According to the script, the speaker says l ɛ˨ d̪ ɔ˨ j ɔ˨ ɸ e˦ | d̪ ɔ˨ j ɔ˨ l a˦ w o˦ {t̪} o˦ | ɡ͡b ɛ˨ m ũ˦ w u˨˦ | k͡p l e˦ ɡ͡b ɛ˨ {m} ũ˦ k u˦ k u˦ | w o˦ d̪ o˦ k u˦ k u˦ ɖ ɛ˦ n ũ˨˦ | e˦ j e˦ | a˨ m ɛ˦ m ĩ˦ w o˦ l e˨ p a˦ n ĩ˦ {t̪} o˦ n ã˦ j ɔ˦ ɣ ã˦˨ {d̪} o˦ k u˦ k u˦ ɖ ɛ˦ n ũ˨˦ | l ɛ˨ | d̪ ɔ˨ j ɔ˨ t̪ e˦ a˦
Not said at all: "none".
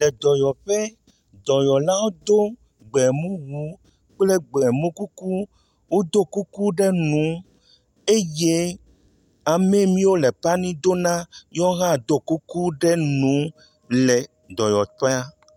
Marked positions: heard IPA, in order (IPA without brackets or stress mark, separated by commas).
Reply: d̪, m, d̪, d̪